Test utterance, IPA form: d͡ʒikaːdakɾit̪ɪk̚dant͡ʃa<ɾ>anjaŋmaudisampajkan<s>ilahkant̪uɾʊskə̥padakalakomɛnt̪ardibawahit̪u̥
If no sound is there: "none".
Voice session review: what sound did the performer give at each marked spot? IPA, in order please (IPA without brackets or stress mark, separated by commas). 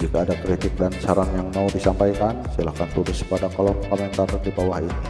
ɾ, s